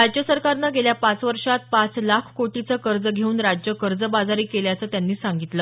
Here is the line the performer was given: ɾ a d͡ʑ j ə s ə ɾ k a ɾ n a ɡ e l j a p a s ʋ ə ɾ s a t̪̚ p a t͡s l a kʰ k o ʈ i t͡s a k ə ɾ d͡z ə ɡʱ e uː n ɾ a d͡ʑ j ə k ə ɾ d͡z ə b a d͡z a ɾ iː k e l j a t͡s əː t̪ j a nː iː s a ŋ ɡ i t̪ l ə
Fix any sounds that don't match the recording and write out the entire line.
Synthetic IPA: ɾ a d͡ʑ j ə s ə ɾ k a ɾ n a ɡ e l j a p a t͡s ʋ ə ɾ ʂ a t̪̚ p a t͡s l a kʰ k o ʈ i t͡s ə k ə ɾ d͡z ə ɡʱ e uː n ɾ a d͡ʑ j ə k ə ɾ d͡z ə b a d͡z a ɾ iː k e l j a t͡s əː t̪ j a nː iː s a ŋ ɡ i t̪ l ə